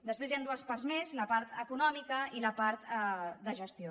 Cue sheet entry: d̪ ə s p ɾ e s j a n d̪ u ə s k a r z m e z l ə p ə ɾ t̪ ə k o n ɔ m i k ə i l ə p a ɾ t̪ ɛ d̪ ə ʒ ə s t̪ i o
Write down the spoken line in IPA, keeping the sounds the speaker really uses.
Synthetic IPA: d̪ ə s p ɾ e z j a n d̪ u ə s p a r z m e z l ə p a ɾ t̪ ə k u n ɔ m i k ə i l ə p a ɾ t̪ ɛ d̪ ə ʒ ə s t̪ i o